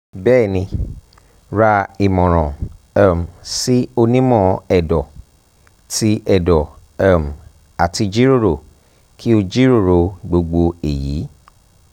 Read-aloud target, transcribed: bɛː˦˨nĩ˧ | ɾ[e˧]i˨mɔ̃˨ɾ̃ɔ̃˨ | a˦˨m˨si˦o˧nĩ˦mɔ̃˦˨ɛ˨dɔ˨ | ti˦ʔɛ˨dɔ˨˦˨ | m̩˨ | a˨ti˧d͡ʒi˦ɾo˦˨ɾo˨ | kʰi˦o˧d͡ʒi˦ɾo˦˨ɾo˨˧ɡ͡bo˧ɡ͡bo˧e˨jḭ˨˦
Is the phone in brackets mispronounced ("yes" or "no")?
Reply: yes